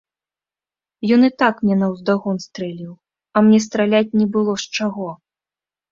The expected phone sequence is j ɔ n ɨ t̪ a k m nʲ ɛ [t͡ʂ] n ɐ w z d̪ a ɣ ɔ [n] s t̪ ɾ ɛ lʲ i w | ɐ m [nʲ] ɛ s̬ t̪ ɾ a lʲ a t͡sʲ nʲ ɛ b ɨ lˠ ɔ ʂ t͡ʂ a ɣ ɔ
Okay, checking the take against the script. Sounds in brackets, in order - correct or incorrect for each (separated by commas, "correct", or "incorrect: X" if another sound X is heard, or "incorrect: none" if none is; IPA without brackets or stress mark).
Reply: incorrect: none, correct, correct